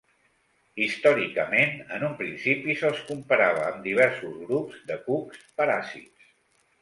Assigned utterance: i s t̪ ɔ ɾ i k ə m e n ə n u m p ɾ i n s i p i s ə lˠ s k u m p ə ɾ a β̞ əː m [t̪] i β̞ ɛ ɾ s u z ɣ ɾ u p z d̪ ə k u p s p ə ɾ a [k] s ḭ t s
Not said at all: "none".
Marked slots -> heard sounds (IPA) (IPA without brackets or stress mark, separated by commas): d̪, none